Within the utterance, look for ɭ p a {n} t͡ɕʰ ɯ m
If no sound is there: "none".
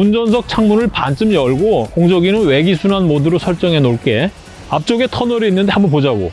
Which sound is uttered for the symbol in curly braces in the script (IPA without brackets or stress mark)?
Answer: n